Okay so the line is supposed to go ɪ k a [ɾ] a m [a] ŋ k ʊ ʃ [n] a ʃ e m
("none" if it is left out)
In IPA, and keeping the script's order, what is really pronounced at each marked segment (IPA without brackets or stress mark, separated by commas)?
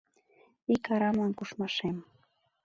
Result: ɾ, a, m